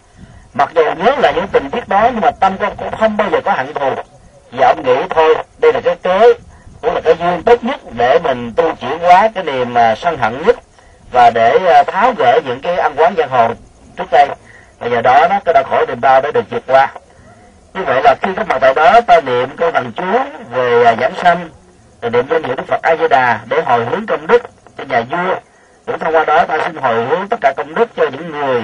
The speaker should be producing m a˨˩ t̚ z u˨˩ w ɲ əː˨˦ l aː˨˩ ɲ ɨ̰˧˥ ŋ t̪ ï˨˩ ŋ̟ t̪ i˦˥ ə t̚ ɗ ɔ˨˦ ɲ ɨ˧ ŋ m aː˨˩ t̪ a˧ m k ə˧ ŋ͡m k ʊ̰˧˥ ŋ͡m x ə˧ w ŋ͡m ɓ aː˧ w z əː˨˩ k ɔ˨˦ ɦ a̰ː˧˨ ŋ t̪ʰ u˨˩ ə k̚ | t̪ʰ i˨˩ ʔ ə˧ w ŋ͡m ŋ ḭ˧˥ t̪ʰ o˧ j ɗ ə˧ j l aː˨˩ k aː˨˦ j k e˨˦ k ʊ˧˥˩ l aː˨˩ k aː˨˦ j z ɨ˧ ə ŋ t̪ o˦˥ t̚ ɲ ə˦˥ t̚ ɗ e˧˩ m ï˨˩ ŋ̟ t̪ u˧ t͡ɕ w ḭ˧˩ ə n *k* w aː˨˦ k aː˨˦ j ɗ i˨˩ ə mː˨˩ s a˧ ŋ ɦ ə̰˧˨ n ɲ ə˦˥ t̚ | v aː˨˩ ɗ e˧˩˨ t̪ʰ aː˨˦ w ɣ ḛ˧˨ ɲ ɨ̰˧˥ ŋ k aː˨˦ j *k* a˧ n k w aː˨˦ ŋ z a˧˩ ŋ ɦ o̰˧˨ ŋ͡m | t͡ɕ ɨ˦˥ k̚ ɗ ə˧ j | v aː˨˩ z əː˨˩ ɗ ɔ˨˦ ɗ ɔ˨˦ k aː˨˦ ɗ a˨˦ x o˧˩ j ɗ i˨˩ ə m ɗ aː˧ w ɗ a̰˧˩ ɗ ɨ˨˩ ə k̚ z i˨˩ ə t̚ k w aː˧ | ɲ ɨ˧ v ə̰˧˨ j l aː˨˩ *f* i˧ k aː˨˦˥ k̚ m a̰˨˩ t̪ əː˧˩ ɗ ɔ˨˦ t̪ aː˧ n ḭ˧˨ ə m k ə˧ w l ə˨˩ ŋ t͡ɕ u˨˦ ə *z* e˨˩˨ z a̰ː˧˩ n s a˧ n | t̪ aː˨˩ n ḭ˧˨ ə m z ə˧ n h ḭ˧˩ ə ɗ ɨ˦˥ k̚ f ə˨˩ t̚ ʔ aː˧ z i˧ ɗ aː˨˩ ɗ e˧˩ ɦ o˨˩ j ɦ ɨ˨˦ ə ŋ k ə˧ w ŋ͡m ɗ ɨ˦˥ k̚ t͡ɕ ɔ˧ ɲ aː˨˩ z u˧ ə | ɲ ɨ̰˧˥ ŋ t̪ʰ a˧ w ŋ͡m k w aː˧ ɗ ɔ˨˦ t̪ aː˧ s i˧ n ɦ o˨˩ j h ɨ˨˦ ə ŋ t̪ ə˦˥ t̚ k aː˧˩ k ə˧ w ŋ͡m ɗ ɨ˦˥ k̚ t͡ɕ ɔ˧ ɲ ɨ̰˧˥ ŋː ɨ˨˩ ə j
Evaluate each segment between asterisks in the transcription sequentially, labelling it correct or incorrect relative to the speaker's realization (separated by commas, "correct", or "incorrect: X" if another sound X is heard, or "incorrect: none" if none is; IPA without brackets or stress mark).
correct, incorrect: ʔ, incorrect: x, incorrect: v